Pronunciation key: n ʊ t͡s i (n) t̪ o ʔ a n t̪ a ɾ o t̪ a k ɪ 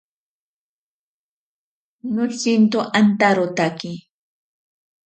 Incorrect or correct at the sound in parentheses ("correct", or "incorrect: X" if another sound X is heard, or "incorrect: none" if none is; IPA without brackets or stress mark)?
correct